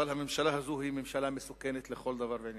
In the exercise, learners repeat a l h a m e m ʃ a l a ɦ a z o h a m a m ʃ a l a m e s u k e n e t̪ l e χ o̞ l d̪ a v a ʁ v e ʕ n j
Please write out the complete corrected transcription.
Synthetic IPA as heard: a l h a m e m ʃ a l a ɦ a z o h i m e m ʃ a l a m e s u k e n e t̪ l e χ o̞ l d̪ a v a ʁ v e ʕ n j